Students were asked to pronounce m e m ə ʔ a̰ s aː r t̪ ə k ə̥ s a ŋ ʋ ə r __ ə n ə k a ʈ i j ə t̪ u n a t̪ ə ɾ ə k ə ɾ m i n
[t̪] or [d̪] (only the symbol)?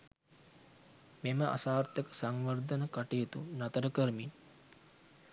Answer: d̪